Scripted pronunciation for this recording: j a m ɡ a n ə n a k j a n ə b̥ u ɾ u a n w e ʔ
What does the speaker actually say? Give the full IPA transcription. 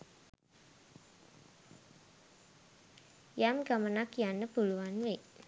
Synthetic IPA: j a m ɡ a m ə n a k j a n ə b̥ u l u a n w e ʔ